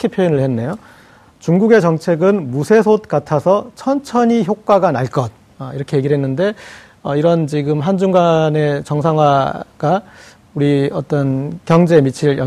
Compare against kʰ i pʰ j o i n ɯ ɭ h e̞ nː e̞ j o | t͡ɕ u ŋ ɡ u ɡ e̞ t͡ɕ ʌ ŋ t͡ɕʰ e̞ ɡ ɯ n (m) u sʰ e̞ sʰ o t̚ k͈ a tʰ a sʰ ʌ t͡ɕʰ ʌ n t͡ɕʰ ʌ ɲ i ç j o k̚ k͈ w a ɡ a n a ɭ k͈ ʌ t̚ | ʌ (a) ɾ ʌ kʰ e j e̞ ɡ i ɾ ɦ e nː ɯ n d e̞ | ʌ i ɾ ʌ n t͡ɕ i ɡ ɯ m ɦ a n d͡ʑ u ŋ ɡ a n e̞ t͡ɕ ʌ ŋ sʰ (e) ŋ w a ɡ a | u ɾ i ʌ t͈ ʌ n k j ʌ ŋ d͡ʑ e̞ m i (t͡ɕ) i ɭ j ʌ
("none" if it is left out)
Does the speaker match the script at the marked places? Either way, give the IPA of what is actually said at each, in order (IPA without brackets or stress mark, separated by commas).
m, i, a, t͡ɕʰ